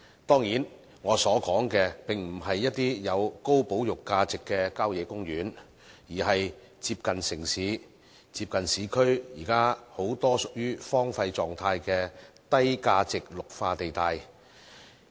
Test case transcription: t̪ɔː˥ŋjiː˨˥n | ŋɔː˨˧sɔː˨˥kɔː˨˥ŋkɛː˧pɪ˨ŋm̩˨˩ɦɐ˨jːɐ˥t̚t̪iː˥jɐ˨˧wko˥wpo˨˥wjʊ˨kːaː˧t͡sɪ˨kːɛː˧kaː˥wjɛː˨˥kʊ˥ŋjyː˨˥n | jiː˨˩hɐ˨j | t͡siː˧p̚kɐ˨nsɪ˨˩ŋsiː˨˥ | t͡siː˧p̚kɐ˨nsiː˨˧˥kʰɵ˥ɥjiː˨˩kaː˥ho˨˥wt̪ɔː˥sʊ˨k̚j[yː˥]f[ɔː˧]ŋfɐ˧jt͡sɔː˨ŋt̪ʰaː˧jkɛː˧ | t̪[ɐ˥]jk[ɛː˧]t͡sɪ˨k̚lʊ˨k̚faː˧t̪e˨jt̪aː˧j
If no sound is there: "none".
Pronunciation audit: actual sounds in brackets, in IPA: yː˥, ɔː˥, ɐ˥, aː˧

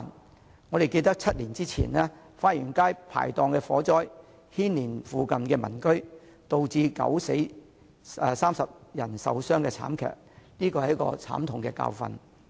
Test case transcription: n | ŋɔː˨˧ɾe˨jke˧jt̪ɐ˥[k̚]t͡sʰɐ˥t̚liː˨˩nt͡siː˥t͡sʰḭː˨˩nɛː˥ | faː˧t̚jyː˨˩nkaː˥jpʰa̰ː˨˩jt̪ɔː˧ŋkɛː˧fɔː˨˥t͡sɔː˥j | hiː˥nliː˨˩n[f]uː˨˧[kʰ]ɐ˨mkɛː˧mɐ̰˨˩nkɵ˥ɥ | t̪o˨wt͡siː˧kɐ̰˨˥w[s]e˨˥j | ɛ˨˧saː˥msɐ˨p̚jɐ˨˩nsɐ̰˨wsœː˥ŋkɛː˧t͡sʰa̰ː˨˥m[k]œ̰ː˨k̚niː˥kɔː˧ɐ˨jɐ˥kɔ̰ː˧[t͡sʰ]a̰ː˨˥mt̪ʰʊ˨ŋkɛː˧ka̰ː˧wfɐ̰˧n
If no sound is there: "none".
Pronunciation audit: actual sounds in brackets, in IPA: k̚, f, k, s, kʰ, t͡sʰ

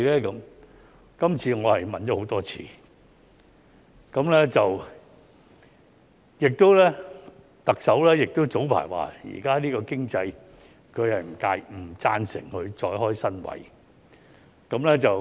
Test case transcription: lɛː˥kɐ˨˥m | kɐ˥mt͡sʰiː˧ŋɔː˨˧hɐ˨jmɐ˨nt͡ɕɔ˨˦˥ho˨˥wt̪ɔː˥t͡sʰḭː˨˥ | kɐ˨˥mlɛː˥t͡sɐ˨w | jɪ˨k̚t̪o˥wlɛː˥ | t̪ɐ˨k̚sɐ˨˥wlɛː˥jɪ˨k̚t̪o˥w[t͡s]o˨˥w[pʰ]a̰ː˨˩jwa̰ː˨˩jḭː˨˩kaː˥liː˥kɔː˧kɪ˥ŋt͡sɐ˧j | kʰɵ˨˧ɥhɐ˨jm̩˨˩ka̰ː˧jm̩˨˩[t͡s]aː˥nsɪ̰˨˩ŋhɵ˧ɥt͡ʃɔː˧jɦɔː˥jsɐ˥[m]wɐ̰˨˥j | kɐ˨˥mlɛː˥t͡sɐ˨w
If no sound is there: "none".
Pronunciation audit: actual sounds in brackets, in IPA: t͡s, pʰ, t͡s, n

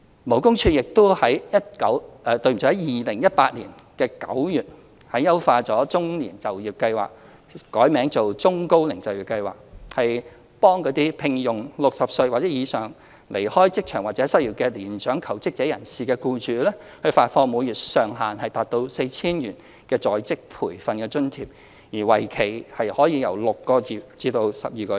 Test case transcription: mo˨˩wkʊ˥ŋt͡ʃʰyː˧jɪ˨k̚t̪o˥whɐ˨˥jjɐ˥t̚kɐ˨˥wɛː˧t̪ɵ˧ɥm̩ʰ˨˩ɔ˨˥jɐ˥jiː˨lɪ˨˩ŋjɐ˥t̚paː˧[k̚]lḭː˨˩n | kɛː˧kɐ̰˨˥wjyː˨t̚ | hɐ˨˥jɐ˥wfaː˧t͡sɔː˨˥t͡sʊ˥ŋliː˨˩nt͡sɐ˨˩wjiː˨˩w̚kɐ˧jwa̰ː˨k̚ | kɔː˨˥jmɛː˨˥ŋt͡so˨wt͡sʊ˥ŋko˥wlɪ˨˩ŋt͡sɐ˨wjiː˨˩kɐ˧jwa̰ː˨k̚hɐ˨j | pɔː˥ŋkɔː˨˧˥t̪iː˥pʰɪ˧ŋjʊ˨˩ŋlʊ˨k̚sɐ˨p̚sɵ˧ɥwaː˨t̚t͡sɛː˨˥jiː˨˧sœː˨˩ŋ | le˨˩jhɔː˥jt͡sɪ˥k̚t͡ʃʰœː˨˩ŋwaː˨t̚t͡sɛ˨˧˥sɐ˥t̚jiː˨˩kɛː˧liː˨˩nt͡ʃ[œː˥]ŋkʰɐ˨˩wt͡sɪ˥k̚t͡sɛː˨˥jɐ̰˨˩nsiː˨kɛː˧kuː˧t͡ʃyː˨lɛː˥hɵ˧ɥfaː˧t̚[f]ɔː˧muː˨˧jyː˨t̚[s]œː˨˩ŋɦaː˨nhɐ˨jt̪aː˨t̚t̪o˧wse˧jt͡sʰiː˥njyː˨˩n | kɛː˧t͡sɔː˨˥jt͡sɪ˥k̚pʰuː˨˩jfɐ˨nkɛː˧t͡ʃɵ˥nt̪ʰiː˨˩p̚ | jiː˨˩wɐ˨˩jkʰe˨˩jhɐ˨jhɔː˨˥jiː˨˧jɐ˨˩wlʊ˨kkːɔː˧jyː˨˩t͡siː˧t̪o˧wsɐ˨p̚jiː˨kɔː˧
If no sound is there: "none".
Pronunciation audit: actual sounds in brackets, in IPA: t̚, œː˨˥, f, s

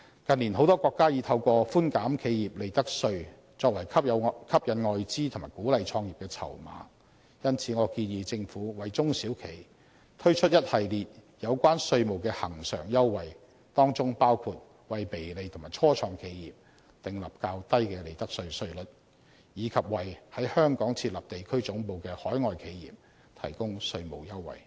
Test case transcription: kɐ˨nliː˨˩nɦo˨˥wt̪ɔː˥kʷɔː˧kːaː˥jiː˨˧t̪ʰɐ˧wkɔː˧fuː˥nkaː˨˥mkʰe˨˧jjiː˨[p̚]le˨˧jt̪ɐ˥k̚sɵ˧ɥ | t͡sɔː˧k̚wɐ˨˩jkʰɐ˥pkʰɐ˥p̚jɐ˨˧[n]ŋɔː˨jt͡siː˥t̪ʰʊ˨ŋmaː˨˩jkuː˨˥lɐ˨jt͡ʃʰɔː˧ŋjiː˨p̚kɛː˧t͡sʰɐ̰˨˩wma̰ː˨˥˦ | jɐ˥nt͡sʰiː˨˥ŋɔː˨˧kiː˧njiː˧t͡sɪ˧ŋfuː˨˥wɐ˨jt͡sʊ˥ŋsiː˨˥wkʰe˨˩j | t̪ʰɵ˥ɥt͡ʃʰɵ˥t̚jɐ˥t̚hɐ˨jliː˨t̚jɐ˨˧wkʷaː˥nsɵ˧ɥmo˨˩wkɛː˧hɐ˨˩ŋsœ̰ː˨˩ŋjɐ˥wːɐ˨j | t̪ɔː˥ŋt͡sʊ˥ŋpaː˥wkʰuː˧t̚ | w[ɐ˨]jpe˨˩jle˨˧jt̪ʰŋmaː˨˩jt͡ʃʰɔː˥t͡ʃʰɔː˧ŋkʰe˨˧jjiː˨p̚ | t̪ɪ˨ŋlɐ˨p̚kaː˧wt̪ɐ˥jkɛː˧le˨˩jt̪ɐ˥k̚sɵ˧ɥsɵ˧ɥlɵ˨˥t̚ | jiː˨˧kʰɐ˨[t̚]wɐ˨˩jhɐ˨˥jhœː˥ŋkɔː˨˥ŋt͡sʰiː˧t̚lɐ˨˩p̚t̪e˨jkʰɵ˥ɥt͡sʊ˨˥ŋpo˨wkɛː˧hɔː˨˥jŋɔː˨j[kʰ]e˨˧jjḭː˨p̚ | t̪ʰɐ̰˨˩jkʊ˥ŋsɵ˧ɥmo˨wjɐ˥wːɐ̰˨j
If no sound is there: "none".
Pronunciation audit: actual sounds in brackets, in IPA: p̚, n, ɐ˨, p̚, kʰ

